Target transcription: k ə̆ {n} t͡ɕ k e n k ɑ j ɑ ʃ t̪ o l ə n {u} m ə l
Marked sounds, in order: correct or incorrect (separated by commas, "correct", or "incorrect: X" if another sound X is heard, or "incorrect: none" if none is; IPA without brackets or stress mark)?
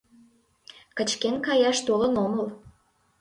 incorrect: none, incorrect: o